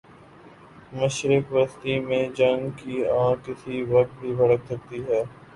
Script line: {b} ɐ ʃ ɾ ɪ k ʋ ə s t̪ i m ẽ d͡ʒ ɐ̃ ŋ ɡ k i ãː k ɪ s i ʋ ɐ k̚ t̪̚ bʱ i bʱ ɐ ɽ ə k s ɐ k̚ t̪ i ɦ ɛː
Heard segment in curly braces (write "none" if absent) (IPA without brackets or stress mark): m